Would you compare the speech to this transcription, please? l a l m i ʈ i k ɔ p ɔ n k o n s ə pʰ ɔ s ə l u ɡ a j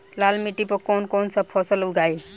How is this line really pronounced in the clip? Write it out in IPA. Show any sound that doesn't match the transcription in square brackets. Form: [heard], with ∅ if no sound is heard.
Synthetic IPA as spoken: l a l m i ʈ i [p] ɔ [k] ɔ n k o n s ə pʰ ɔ s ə l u ɡ a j